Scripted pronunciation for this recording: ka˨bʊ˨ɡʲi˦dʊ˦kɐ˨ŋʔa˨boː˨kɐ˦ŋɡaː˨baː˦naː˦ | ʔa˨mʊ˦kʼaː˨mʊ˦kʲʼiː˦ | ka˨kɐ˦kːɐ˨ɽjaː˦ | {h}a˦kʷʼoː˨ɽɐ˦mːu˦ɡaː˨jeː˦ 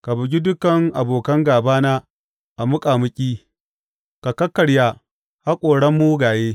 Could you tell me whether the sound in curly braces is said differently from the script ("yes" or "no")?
no